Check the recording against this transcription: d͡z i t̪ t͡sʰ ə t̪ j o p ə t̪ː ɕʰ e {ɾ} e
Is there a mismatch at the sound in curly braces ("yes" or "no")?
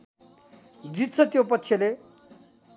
yes